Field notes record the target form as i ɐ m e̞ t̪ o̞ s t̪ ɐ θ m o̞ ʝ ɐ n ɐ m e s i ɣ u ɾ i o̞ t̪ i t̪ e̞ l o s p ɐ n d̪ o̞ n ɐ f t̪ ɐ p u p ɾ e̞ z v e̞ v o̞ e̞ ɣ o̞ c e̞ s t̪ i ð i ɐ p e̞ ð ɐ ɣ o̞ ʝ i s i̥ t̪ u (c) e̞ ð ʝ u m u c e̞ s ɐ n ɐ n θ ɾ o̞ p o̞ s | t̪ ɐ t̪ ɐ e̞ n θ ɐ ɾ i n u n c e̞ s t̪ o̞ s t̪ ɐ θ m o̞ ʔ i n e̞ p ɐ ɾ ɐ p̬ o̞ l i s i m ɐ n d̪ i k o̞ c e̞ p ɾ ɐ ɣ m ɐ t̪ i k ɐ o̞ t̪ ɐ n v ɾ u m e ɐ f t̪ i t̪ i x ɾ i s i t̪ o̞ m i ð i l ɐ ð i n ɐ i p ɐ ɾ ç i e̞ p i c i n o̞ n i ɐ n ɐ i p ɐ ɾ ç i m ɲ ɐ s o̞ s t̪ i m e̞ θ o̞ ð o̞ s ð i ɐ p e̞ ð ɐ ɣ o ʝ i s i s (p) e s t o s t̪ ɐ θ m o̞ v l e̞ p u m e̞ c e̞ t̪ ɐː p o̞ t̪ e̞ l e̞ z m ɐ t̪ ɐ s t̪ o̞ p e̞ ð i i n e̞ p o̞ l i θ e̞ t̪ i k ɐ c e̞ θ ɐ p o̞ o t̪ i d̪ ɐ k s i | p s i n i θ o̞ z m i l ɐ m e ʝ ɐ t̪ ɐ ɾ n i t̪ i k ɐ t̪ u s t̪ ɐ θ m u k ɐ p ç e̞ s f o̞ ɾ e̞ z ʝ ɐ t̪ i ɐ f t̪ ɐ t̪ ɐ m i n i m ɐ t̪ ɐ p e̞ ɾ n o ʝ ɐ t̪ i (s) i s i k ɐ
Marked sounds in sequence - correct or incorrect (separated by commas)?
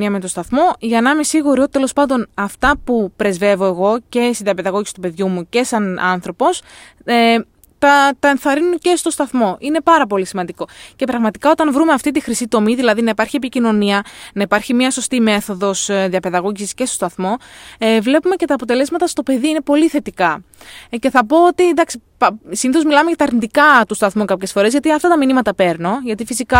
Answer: incorrect, incorrect, incorrect